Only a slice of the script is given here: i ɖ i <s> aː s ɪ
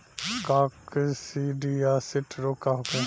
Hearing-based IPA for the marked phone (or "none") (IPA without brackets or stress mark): none